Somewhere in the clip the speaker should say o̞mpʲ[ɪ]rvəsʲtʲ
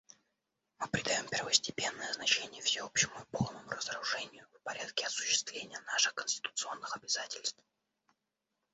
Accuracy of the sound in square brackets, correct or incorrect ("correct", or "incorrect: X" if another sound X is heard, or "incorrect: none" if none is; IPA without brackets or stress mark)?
correct